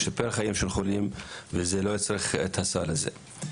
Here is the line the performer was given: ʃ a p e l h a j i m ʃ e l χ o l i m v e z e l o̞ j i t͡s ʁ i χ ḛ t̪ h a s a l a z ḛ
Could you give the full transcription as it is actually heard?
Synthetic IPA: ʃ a p e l χ a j i m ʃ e l χ o l i m v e z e l o̞ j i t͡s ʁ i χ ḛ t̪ h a s a l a z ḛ